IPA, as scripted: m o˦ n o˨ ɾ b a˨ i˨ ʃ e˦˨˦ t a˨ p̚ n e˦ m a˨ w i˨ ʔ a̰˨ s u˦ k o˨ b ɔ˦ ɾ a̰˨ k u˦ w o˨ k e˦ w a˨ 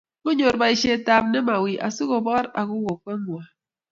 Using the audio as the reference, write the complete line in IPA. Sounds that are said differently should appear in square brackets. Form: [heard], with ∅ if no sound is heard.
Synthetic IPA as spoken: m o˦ [ɲ] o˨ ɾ b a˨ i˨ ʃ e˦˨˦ t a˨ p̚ n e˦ m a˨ w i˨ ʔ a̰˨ s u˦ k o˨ b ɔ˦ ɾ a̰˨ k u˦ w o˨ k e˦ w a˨